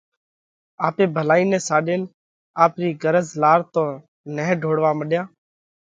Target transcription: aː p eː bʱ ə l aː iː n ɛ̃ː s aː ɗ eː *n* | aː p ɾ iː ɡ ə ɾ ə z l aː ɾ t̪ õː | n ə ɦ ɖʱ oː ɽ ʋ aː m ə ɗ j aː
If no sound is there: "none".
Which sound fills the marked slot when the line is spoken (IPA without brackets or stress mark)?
n